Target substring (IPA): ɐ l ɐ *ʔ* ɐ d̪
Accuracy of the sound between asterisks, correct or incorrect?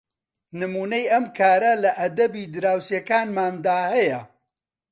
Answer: correct